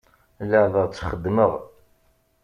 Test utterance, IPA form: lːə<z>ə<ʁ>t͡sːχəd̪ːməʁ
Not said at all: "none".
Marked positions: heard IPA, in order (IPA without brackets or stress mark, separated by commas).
ð, ʁ